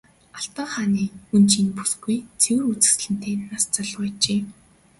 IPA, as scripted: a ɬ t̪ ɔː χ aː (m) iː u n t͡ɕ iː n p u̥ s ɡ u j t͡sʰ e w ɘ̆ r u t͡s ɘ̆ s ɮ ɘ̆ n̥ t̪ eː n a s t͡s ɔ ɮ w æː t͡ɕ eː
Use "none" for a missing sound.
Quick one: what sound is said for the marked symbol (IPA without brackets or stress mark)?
n